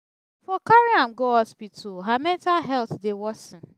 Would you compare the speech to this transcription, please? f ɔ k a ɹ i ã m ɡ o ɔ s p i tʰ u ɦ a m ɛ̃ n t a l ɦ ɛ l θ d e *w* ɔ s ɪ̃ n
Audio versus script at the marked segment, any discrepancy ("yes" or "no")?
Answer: no